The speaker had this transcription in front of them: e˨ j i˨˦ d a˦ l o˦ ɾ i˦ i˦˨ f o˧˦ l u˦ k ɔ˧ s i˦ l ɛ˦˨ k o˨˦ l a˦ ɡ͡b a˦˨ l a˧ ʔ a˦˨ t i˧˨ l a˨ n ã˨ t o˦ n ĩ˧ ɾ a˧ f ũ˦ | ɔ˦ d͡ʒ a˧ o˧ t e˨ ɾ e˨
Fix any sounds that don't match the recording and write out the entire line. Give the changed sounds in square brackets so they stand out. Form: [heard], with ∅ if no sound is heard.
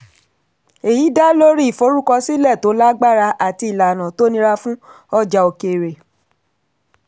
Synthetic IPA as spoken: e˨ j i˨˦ d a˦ l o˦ ɾ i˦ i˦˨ f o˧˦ [ɾ] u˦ k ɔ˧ s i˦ l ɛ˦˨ [t] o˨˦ l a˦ ɡ͡b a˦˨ [ɾ] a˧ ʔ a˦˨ t i˧˨ l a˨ n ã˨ t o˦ n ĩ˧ ɾ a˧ f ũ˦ | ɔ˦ d͡ʒ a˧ o˧ [k] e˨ ɾ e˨